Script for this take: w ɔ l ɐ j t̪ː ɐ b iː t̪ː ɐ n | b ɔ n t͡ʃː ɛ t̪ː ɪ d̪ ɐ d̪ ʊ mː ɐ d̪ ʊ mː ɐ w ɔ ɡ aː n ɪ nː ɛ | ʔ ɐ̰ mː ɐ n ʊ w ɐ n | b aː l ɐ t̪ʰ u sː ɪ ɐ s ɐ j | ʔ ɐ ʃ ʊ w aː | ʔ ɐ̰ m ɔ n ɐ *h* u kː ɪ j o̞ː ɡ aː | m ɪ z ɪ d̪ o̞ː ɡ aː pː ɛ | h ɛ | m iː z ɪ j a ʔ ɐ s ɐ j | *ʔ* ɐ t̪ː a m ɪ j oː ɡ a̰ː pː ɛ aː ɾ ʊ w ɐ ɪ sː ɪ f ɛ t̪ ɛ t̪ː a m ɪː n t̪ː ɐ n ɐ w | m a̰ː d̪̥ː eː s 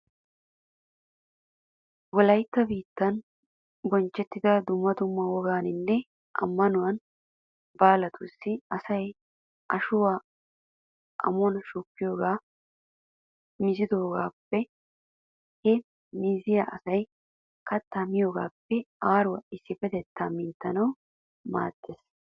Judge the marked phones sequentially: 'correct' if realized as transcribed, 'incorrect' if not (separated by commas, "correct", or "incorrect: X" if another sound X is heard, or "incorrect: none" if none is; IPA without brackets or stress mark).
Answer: incorrect: ʃ, incorrect: k